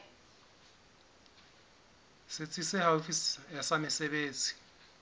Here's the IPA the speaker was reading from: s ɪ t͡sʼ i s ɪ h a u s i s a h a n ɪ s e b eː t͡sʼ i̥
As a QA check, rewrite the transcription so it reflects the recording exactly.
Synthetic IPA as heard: s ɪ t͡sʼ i s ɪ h a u f i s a s a m ɪ s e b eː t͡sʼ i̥